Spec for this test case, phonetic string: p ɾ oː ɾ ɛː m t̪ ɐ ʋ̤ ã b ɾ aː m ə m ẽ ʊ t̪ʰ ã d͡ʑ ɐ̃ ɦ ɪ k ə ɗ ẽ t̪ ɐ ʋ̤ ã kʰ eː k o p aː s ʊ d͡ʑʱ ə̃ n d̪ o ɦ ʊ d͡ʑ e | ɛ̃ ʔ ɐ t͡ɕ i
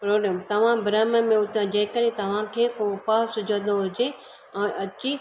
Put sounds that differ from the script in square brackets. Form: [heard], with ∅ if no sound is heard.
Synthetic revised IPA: p ɾ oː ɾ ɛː m t̪ ɐ ʋ̤ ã b ɾ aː m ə m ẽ ʊ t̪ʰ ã d͡ʑ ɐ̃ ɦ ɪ k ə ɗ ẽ t̪ ɐ ʋ̤ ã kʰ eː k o p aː s ʊ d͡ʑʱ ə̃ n d̪ o ɦ ʊ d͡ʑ e | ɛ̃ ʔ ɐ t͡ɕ i